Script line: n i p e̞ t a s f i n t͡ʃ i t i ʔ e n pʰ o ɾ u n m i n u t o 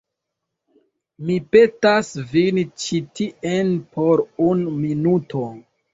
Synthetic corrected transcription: m i p e̞ t a s v i n t͡ʃ i t i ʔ e n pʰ o ɾ u n m i n u t o